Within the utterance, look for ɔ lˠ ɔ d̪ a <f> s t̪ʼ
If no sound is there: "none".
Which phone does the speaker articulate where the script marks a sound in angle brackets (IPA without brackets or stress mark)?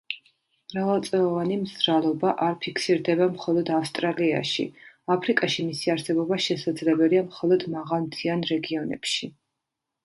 f